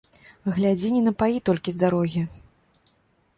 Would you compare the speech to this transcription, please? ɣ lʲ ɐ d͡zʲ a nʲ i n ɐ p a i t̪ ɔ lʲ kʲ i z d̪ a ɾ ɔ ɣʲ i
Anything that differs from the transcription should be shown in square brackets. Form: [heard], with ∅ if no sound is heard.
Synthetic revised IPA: ɣ lʲ [a] d͡zʲ [i] nʲ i n ɐ p a i t̪ ɔ lʲ kʲ i z d̪ a ɾ ɔ ɣʲ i